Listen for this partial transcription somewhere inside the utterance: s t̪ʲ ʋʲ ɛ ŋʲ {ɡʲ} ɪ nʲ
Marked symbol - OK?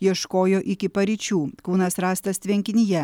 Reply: no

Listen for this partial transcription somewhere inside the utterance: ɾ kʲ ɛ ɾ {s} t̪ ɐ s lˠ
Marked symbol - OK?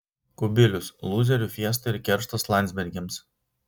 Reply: no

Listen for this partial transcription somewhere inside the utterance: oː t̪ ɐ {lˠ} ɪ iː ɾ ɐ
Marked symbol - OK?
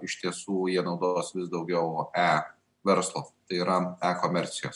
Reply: no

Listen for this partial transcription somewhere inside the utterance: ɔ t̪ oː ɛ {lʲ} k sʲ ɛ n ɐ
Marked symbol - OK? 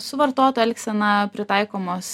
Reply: yes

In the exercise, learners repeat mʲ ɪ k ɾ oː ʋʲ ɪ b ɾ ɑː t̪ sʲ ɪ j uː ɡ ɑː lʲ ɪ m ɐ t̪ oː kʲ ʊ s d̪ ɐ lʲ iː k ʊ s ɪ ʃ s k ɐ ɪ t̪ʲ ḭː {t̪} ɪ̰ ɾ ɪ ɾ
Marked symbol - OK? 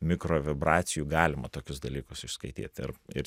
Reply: yes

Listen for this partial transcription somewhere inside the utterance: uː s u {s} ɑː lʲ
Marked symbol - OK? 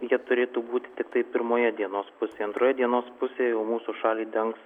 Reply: no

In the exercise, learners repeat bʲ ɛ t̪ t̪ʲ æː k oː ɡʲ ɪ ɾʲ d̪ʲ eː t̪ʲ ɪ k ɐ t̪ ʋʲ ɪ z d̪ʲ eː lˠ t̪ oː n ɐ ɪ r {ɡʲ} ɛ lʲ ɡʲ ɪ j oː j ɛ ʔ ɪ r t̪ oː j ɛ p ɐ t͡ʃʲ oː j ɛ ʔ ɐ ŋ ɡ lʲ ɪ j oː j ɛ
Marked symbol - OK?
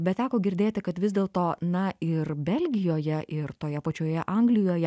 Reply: no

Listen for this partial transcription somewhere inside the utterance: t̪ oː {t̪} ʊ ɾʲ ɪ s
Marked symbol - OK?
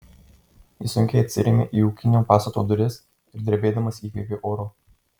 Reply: no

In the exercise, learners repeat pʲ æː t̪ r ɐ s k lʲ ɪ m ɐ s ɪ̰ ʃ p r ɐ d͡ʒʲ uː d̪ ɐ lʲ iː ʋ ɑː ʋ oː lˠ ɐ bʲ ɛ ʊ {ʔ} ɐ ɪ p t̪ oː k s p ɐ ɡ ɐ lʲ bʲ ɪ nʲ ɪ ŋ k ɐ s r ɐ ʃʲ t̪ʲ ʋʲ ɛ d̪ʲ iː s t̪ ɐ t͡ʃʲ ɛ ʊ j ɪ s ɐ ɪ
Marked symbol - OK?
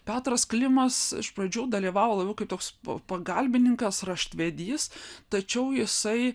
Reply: no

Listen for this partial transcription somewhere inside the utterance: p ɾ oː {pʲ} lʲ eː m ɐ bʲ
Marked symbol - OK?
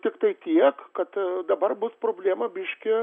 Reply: no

